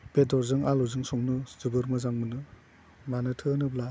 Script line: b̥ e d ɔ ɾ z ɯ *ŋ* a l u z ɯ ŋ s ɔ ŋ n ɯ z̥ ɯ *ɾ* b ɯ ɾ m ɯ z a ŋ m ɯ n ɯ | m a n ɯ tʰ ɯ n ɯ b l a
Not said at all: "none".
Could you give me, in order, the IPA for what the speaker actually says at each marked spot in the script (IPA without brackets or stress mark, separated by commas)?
ŋ, none